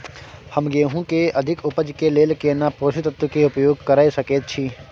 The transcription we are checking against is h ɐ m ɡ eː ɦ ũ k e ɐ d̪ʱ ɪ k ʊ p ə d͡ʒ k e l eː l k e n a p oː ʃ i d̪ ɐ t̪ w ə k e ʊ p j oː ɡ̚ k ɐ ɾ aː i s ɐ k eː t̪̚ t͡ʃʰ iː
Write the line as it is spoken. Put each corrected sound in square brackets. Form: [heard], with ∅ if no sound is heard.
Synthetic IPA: h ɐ m ɡ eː ɦ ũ k e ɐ d̪ʱ ɪ k ʊ p ə d͡ʒ k e l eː l k e n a p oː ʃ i [t̪] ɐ t̪ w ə k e ʊ p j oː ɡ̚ k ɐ ɾ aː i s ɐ k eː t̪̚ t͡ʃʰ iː